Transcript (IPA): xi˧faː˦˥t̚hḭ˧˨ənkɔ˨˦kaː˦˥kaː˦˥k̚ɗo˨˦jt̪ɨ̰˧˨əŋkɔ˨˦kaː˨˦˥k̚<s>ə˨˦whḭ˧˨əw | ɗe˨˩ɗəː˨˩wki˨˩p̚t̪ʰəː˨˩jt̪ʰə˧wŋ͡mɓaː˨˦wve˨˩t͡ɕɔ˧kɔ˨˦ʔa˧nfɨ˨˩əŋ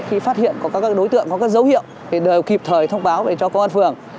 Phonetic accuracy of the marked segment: incorrect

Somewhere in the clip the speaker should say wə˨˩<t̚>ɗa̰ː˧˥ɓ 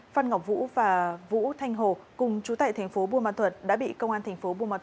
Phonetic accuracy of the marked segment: correct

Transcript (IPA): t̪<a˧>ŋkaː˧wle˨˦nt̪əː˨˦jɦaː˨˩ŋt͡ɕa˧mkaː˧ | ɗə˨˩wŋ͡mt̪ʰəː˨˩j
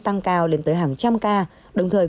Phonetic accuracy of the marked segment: correct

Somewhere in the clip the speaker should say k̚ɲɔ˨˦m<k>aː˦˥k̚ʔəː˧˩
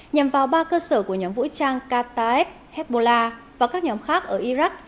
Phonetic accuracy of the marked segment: incorrect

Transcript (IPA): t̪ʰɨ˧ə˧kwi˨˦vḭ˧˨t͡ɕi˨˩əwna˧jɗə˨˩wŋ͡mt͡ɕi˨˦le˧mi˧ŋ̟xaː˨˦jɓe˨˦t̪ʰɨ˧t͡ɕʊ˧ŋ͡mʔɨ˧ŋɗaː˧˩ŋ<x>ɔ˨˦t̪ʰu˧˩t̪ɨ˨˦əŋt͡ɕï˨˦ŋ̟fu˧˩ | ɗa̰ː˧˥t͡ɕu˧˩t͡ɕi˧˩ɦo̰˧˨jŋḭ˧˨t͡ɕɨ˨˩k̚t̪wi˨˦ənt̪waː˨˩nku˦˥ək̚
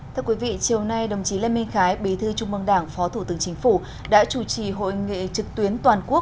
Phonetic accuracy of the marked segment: incorrect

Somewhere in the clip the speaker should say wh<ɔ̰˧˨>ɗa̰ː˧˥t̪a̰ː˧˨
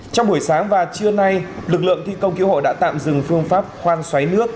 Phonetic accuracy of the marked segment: incorrect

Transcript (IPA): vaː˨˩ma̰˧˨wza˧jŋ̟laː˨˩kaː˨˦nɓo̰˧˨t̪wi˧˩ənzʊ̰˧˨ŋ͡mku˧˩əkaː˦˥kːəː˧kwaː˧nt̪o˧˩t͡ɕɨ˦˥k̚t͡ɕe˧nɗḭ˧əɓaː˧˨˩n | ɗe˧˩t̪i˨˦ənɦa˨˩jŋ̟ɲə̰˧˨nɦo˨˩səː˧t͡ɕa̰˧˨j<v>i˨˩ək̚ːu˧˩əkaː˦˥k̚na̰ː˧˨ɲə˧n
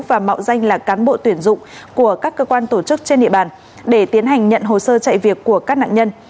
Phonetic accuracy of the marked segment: correct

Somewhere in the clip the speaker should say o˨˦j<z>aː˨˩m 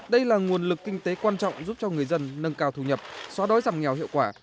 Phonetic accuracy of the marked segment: correct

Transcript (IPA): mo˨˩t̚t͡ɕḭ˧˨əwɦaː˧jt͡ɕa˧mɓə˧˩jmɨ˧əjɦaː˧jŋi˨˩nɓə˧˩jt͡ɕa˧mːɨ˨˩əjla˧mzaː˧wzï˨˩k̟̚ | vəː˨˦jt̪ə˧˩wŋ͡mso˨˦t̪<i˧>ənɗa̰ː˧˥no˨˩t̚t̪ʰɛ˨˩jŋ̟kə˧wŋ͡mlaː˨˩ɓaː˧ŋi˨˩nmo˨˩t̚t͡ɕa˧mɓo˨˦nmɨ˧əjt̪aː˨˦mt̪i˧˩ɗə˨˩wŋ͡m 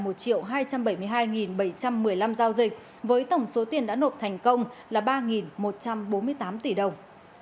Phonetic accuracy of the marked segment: incorrect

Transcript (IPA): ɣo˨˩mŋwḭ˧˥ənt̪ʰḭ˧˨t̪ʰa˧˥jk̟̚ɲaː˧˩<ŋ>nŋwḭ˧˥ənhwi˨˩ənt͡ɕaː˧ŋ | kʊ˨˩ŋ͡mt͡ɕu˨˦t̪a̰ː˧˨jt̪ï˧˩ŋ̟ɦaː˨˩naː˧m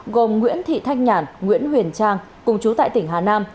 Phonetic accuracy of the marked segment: incorrect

